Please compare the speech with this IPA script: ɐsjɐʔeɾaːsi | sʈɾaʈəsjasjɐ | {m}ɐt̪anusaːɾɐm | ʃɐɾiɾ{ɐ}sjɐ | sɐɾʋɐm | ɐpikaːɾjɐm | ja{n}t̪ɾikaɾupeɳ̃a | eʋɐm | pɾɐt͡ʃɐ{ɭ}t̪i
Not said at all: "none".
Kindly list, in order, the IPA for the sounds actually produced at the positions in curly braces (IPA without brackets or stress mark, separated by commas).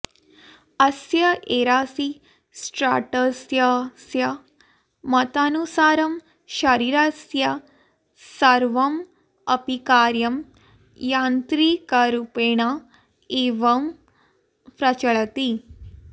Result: m, a, n, ɭ